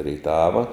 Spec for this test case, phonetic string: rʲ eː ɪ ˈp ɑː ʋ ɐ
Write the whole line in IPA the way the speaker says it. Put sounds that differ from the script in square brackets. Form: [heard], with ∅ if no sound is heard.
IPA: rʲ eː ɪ [ˈt] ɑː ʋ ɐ